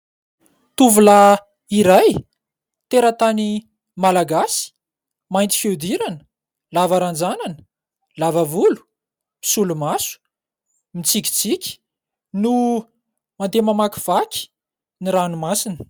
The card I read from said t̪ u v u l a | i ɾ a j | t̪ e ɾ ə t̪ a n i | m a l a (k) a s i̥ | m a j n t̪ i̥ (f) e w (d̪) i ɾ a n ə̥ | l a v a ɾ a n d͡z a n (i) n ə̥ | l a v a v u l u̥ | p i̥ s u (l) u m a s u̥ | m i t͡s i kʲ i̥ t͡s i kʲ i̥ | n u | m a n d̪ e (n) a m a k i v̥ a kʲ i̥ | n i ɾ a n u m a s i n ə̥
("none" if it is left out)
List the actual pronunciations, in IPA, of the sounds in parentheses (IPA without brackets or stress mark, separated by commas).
ɡ, f, d̪, a, l, m